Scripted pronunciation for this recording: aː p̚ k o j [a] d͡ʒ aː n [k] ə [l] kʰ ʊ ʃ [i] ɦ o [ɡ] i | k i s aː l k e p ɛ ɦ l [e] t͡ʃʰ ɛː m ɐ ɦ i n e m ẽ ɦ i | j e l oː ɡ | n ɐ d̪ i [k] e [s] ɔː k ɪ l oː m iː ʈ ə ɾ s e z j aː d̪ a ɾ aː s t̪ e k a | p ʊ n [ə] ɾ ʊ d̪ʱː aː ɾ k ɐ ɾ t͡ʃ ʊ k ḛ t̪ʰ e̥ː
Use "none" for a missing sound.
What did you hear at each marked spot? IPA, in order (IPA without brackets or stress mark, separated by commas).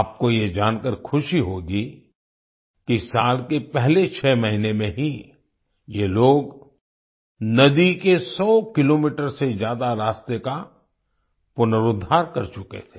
e, k, ɾ, i, ɡ, e, k, s, ə